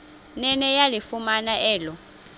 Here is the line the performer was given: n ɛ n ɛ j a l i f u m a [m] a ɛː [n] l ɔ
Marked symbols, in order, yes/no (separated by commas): no, no